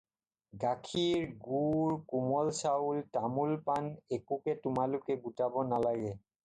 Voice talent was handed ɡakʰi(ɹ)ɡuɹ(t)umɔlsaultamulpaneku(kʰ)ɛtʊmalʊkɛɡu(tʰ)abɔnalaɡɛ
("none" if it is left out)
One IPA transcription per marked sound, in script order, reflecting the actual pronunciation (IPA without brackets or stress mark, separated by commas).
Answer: ɹ, k, k, t